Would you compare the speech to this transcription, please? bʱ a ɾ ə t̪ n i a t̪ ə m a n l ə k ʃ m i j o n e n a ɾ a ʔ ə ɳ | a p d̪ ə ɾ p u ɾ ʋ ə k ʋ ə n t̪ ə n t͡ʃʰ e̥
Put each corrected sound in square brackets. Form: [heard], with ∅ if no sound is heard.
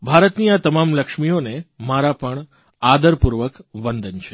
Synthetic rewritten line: bʱ a ɾ ə t̪ n i a t̪ ə m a [m] l ə k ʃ m i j o n e [m] a ɾ a [p] ə ɳ | a [∅] d̪ ə ɾ p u ɾ ʋ ə k ʋ ə n [d̪] ə n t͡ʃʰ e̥